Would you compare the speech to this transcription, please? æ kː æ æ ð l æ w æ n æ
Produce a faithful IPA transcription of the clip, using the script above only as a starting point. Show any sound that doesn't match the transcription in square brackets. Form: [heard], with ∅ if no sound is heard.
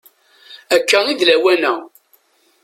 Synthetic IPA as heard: æ kː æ [i] ð l æ w æ n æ